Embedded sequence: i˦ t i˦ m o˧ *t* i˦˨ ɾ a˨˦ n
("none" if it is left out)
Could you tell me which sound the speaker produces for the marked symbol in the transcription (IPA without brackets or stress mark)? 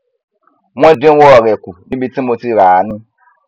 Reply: t